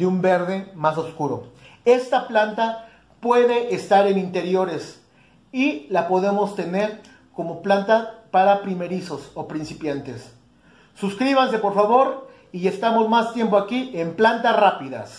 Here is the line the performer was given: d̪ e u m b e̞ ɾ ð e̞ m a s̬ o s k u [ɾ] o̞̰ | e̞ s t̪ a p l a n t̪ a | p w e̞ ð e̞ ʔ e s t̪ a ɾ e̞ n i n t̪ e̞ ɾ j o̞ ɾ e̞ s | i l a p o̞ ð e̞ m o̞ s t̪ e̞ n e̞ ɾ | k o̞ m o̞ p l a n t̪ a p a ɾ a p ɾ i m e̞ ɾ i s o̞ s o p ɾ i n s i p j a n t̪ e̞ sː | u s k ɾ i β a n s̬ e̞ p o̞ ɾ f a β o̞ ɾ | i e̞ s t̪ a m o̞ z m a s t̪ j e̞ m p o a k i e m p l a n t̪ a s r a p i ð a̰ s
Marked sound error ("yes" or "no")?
no